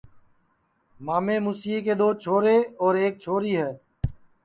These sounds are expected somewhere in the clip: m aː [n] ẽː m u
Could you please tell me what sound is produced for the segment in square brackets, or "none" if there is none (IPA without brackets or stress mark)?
m